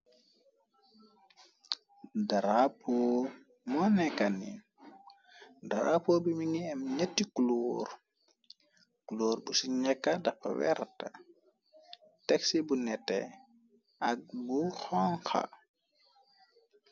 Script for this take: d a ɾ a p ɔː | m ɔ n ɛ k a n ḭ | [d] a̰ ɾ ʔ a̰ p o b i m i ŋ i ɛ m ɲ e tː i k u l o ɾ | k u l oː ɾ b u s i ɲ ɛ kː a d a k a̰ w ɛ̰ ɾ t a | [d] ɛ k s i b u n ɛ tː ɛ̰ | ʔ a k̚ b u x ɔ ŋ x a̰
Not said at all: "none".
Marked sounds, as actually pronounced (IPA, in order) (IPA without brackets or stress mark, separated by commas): d, t